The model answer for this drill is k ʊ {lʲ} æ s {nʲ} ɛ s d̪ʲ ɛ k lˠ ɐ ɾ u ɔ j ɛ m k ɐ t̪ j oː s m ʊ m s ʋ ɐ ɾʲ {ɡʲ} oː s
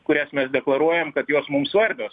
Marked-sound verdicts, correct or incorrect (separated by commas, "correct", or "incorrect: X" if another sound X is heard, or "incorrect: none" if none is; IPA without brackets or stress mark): incorrect: ɾʲ, incorrect: mʲ, incorrect: bʲ